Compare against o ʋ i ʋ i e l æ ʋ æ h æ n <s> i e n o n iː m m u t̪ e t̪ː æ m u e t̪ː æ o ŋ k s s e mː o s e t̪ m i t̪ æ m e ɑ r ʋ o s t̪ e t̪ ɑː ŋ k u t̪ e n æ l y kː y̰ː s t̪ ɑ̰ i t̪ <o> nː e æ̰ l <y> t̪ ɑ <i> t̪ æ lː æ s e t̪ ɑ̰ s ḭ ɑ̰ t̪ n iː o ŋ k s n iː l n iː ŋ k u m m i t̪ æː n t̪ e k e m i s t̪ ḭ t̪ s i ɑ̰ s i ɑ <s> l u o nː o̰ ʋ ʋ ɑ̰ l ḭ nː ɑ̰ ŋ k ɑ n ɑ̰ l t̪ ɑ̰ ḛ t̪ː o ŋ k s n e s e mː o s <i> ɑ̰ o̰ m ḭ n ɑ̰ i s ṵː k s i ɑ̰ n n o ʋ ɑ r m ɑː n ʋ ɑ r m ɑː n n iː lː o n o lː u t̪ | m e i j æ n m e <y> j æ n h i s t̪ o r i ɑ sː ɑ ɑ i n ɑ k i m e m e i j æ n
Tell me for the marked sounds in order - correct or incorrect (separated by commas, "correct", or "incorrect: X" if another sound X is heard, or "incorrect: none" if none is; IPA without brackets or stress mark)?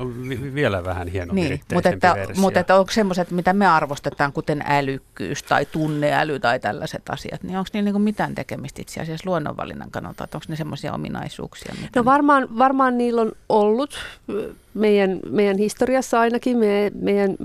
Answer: incorrect: h, incorrect: u, correct, correct, correct, correct, incorrect: i